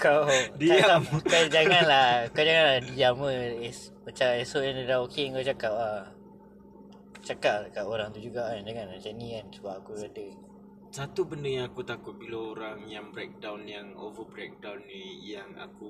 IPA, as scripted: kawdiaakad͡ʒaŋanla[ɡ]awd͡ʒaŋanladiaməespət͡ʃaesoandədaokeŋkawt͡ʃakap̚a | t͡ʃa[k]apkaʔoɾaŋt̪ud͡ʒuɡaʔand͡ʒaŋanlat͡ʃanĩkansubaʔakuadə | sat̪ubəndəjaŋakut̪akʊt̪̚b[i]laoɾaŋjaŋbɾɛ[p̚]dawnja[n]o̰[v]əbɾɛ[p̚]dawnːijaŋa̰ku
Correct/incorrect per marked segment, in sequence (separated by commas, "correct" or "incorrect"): incorrect, correct, correct, incorrect, incorrect, correct, incorrect